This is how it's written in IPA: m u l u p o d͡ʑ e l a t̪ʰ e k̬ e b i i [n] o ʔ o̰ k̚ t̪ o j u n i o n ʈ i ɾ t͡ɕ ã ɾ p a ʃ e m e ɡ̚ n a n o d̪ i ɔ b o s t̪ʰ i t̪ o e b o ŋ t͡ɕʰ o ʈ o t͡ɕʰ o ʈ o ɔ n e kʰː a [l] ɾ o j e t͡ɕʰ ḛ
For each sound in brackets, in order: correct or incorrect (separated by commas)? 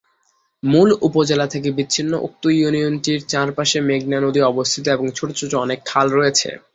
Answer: incorrect, correct